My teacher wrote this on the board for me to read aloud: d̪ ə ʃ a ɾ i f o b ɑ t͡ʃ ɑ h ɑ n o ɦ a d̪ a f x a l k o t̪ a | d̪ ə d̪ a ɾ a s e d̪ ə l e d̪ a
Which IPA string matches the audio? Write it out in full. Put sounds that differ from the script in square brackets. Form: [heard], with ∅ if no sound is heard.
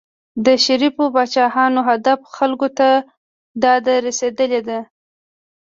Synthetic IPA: d̪ ə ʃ a ɾ i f o b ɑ t͡ʃ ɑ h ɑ n o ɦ a d̪ a f x a l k o t̪ a | d̪ [ɑ] d̪ a ɾ a s e d̪ ə l e d̪ a

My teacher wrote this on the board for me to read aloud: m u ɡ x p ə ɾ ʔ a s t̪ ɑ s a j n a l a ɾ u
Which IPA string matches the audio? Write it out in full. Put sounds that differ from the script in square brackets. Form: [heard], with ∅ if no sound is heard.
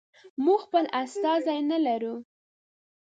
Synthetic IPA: m u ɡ x p ə [l] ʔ a s t̪ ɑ [z] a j n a l a ɾ u

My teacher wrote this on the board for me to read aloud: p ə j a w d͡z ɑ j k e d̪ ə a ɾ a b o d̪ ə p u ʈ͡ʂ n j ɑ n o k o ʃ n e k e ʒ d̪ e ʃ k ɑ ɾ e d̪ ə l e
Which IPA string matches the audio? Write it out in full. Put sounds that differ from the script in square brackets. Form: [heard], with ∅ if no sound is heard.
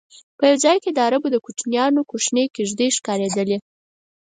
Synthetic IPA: p ə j a w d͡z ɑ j k e d̪ ə a ɾ a b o d̪ ə [k] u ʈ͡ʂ n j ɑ n o k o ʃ n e k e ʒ d̪ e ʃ k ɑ ɾ e d̪ ə l e

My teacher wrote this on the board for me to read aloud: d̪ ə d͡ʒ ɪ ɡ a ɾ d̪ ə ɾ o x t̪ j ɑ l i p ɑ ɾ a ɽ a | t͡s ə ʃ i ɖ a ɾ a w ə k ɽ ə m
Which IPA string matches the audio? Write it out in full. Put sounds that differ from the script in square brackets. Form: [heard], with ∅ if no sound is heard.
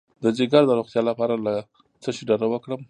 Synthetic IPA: d̪ ə d͡ʒ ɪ ɡ a ɾ d̪ ə ɾ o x t̪ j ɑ l [a] p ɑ ɾ a [l] a | t͡s ə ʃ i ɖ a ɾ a w ə k ɽ ə m

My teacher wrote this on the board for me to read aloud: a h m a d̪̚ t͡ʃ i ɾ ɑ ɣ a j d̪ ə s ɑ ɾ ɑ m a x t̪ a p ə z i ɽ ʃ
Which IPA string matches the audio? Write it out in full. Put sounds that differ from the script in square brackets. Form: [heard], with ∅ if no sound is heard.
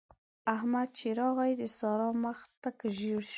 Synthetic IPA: a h m a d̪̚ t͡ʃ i ɾ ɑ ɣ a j d̪ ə s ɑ ɾ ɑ m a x t̪ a [k] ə [ʒ] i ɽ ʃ

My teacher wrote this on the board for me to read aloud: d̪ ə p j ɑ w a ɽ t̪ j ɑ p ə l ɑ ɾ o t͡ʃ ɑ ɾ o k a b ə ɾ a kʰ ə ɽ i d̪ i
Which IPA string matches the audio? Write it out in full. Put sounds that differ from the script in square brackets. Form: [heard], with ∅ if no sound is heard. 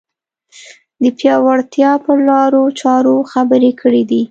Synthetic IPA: d̪ ə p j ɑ w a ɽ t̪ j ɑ p ə l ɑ ɾ o t͡ʃ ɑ ɾ o [x] a b ə ɾ [e] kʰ ə ɽ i d̪ i

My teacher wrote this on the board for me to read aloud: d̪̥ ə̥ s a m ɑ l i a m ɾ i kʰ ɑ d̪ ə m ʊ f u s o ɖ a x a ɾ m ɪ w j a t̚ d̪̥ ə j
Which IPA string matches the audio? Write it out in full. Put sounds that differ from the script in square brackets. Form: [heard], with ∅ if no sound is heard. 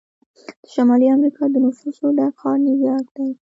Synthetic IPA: d̪̥ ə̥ [ʃ] a m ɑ l i a m ɾ i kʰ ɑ d̪ ə [n] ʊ f u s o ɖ a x [ɑ] ɾ [n] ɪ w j [ɑ] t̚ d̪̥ [a] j

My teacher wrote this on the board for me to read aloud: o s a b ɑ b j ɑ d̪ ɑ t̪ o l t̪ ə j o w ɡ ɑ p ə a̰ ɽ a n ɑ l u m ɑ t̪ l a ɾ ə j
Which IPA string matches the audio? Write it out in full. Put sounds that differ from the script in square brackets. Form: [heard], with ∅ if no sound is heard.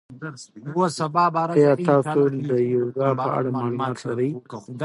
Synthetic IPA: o s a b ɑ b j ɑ [t̪] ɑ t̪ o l [d̪] ə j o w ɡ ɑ p ə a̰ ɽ a [m] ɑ l u m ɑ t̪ l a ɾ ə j

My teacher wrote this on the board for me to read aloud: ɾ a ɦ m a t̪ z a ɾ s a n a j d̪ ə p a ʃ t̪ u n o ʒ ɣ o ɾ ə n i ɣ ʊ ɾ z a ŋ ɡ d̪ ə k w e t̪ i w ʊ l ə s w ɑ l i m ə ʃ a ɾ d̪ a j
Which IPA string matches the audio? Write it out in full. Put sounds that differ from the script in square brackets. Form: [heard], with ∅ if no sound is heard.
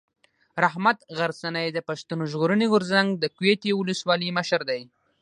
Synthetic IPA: ɾ a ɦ m a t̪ [ɣ] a ɾ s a n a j d̪ ə p a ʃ t̪ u n o ʒ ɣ o ɾ ə n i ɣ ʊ ɾ z a ŋ ɡ d̪ ə k w e t̪ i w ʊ l ə s w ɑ l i m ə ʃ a ɾ d̪ a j

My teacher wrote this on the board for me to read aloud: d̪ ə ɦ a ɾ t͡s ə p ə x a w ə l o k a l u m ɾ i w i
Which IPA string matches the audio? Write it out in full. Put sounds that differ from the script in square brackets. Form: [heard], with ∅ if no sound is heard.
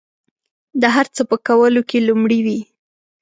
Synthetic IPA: d̪ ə ɦ a ɾ t͡s ə p ə [k] a w ə l o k [e] l u m [ɽ] i w i

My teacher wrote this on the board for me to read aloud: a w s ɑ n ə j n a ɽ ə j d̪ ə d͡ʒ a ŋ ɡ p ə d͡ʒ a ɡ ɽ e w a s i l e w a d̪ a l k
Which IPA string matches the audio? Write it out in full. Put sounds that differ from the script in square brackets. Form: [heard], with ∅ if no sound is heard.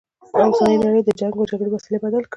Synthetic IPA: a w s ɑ n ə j n a ɽ ə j d̪ ə d͡ʒ a ŋ ɡ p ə d͡ʒ a ɡ ɽ e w a s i l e [b] a d̪ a l k

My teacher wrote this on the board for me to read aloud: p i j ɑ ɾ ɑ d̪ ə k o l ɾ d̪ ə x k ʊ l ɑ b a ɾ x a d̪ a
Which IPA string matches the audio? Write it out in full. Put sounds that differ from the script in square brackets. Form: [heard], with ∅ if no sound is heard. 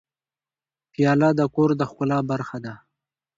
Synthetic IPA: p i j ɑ [l] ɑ d̪ ə k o [∅] ɾ d̪ ə x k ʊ l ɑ b a ɾ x a d̪ a

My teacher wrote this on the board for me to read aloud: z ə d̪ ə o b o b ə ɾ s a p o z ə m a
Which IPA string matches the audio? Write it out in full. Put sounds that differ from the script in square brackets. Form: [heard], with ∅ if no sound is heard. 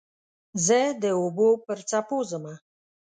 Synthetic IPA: z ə d̪ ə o b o [p] ə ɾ [t͡s] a p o z ə m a

